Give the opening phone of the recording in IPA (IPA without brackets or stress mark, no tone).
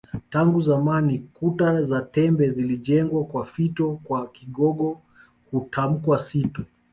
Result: t